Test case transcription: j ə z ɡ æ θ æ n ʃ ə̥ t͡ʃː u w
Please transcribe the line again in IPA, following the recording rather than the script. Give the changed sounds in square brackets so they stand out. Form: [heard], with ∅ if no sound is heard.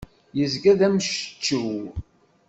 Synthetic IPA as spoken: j ə z ɡ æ [ð] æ [m] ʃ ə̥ t͡ʃː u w